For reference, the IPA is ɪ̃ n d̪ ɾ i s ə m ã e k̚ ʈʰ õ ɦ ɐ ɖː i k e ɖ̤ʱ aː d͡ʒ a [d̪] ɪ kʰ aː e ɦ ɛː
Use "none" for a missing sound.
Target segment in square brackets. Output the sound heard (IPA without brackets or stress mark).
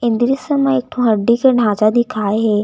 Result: d̪